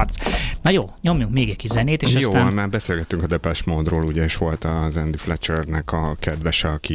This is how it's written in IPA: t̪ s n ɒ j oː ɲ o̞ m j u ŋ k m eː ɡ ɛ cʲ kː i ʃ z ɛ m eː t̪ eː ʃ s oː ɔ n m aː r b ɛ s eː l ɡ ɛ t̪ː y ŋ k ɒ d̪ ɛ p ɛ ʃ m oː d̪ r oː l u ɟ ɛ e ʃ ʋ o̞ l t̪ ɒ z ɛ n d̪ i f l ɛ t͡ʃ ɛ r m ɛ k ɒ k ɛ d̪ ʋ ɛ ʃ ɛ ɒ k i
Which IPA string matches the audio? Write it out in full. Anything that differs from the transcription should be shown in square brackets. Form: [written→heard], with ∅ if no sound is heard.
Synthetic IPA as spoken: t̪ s n ɒ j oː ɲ o̞ m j u ŋ k m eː ɡ ɛ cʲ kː i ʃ z ɛ [m→n] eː t̪ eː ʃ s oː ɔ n m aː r b ɛ s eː l ɡ ɛ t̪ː y ŋ k ɒ d̪ ɛ p ɛ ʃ m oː d̪ r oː l u ɟ ɛ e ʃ ʋ o̞ l t̪ ɒ z ɛ n d̪ i f l ɛ t͡ʃ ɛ r [m→n] ɛ k ɒ k ɛ d̪ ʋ ɛ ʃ ɛ ɒ k i